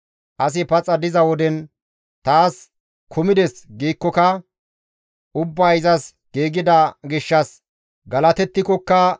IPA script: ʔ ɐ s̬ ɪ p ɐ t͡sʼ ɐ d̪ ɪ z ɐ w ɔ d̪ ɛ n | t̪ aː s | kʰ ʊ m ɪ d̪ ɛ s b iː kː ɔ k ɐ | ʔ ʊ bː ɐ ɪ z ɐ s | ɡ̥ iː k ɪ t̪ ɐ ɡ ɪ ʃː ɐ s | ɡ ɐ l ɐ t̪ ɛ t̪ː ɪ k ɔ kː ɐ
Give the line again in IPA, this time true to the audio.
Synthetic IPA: ʔ ɐ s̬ ɪ p ɐ t͡sʼ ɐ d̪ ɪ z ɐ w ɔ d̪ ɛ n | t̪ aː s | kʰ ʊ m ɪ d̪ ɛ s ɡ iː kː ɔ k ɐ | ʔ ʊ bː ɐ ɪ z ɐ s | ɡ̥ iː ɡ ɪ d̪ ɐ ɡ ɪ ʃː ɐ s | ɡ ɐ l ɐ t̪ ɛ t̪ː ɪ k ɔ kː ɐ

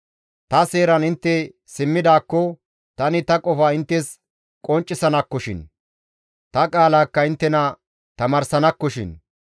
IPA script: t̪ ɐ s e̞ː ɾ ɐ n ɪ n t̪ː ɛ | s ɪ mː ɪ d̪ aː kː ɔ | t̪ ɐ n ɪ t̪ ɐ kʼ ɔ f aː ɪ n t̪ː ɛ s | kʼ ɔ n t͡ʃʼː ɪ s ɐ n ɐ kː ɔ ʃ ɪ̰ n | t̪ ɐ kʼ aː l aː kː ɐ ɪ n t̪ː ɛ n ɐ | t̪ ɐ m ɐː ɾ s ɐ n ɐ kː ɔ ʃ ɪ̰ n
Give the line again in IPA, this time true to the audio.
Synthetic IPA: t̪ ɐ s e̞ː ɾ ɐ n ɪ n t̪ː ɛ | s ɪ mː ɪ d̪ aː kː ɔ | t̪ ɐ n ɪ t̪ ɐ kʼ ɔ f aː ɪ n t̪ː ɛ s | kʼ ɔ n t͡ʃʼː ɪ s ɐ n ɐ kː ɔ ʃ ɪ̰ n | t̪ ɐ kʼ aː l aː kː ɐ ɪ n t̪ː ɛ n ɐ | t̪ ɐ m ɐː ɾ s ɐ n ɐ kː ɔ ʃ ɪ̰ n

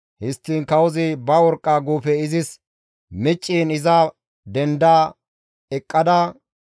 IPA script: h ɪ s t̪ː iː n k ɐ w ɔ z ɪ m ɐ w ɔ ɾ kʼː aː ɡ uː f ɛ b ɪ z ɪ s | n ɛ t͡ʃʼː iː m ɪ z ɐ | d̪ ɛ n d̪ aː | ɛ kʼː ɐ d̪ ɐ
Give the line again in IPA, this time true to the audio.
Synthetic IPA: h ɪ s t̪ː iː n k ɐ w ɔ z ɪ b ɐ w ɔ ɾ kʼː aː ɡ uː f ɛ ɪ z ɪ s | m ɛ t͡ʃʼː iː n ɪ z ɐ | d̪ ɛ n d̪ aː | ɛ kʼː ɐ d̪ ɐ

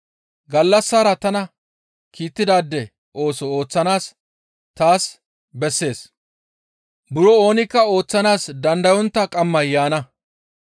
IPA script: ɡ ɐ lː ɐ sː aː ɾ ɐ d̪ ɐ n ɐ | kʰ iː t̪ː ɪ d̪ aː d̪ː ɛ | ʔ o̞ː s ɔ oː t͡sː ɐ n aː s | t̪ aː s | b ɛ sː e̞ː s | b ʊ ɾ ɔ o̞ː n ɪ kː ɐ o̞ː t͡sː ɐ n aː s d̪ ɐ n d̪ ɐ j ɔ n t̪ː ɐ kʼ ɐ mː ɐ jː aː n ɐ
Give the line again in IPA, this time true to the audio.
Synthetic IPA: ɡ ɐ lː ɐ sː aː ɾ ɐ t̪ ɐ n ɐ | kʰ iː t̪ː ɪ d̪ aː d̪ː ɛ | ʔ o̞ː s ɔ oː t͡sː ɐ n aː s | t̪ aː s | b ɛ sː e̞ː s | b ʊ ɾ ɔ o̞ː n ɪ kː ɐ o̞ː t͡sː ɐ n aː s d̪ ɐ n d̪ ɐ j ɔ n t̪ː ɐ kʼ ɐ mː ɐ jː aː n ɐ

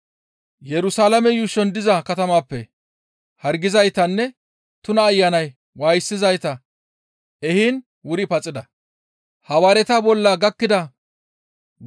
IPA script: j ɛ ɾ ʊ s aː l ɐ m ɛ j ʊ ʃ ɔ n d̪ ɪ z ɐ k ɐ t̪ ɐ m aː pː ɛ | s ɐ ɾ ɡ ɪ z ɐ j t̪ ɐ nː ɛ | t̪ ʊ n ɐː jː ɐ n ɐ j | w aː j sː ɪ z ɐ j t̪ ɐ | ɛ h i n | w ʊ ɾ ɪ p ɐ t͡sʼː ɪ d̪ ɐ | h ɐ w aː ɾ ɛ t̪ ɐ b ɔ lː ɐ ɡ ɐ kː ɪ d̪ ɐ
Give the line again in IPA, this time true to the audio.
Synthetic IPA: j ɛ ɾ ʊ s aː l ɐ m ɛ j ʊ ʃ ɔ n d̪ ɪ z ɐ k ɐ t̪ ɐ m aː pː ɛ | h ɐ ɾ ɡ ɪ z ɐ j t̪ ɐ nː ɛ | t̪ ʊ n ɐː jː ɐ n ɐ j | w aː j sː ɪ z ɐ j t̪ ɐ | ɛ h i n | w ʊ ɾ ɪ p ɐ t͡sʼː ɪ d̪ ɐ | h ɐ w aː ɾ ɛ t̪ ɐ b ɔ lː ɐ ɡ ɐ kː ɪ d̪ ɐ

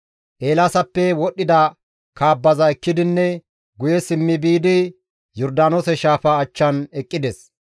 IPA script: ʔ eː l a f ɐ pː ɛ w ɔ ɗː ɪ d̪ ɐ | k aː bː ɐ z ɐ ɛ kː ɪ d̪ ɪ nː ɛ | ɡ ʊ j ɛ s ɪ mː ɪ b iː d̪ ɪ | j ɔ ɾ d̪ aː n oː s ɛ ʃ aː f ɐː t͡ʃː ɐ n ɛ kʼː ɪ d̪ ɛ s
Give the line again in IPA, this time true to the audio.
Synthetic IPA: ʔ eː l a s ɐ pː ɛ w ɔ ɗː ɪ d̪ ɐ | k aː bː ɐ z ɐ ɛ kː ɪ d̪ ɪ nː ɛ | ɡ ʊ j ɛ s ɪ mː ɪ b iː d̪ ɪ | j ɔ ɾ d̪ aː n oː s ɛ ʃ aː f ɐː t͡ʃː ɐ n ɛ kʼː ɪ d̪ ɛ s

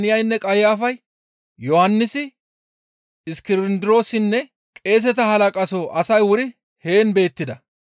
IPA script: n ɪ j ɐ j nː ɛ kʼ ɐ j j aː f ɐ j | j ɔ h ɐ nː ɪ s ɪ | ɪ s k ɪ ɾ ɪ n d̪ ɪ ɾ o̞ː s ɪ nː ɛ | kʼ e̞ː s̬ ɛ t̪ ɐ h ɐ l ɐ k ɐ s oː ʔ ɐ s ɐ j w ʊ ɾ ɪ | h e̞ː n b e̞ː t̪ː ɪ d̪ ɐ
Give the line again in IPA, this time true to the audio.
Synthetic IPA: n ɪ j ɐ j nː ɛ kʼ ɐ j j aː f ɐ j | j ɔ h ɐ nː ɪ s ɪ | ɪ s k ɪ ɾ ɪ n d̪ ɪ ɾ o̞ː s ɪ nː ɛ | kʼ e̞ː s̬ ɛ t̪ ɐ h ɐ l ɐ kʼ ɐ s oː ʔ ɐ s ɐ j w ʊ ɾ ɪ | h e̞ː n b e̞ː t̪ː ɪ d̪ ɐ

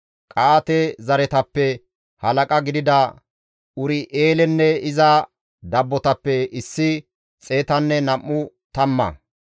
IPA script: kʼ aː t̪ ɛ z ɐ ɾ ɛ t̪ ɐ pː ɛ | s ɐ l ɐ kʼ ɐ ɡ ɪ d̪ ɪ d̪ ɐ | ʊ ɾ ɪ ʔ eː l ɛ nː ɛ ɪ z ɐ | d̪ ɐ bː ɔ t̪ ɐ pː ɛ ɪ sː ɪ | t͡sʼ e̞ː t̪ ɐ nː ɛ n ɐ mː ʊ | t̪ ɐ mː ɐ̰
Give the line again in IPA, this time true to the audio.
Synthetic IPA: kʼ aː t̪ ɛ z ɐ ɾ ɛ t̪ ɐ pː ɛ | h ɐ l ɐ kʼ ɐ ɡ ɪ d̪ ɪ d̪ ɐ | ʊ ɾ ɪ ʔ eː l ɛ nː ɛ ɪ z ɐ | d̪ ɐ bː ɔ t̪ ɐ pː ɛ ɪ sː ɪ | t͡sʼ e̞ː t̪ ɐ nː ɛ n ɐ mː ʊ | t̪ ɐ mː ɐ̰

